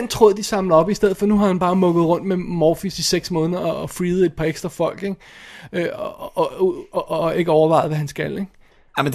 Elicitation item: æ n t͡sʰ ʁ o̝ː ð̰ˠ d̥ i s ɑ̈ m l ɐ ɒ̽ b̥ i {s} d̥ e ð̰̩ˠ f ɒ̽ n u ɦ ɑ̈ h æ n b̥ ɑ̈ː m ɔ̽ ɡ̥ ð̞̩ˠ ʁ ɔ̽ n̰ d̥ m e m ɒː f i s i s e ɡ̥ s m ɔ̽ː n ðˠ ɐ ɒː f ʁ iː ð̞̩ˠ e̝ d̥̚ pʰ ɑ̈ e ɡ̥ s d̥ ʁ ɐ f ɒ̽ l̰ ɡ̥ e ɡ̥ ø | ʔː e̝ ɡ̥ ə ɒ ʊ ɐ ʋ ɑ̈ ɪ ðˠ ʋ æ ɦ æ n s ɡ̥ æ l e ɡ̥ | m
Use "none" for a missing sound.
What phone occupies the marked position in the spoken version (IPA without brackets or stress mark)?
s